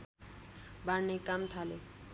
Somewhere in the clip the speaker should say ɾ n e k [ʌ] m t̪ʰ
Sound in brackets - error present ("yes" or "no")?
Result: yes